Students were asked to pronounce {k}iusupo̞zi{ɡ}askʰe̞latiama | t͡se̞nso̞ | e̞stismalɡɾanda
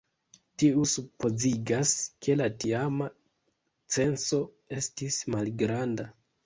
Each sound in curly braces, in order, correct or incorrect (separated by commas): incorrect, correct